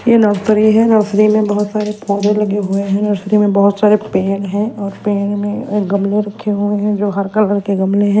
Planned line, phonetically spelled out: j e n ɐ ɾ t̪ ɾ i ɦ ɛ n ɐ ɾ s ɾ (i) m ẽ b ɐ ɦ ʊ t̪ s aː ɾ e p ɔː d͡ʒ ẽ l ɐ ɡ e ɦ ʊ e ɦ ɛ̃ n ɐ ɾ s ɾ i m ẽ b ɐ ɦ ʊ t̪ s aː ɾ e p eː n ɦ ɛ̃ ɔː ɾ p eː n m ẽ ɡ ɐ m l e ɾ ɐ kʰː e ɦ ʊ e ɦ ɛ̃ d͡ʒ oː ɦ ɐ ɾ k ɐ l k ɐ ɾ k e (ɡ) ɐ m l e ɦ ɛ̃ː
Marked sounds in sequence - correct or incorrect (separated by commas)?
correct, correct